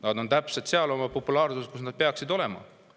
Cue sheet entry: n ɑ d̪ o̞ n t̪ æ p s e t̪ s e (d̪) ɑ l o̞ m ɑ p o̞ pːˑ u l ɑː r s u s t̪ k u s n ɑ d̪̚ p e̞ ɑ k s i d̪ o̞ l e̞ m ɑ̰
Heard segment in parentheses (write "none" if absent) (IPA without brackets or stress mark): none